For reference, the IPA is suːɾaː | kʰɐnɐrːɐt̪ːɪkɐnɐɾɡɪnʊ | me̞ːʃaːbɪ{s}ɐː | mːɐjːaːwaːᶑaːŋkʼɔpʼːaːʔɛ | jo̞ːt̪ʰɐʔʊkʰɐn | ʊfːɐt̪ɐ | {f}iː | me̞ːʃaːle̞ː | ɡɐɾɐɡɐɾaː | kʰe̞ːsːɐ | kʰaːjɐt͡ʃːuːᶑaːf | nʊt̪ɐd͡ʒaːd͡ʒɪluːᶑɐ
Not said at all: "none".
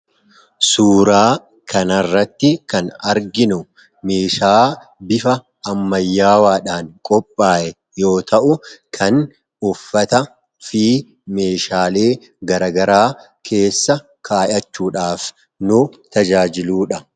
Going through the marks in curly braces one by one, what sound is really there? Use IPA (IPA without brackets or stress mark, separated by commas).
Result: f, f